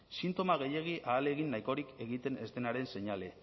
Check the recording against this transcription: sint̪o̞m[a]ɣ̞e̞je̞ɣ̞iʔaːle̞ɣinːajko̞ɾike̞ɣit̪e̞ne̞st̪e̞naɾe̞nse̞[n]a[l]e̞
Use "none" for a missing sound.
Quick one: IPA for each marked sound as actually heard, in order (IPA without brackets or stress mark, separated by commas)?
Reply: a, ɲ, l